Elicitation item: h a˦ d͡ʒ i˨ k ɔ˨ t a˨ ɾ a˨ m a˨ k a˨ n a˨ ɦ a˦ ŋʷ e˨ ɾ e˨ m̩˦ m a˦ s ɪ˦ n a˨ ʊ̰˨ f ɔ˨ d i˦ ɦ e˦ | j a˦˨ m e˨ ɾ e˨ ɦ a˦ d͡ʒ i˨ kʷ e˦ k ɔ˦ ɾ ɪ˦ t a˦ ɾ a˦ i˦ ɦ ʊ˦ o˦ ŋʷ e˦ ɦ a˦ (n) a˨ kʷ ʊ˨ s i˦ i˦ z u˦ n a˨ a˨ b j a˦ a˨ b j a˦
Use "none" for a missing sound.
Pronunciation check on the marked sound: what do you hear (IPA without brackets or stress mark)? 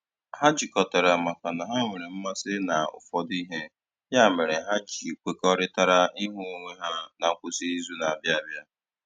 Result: n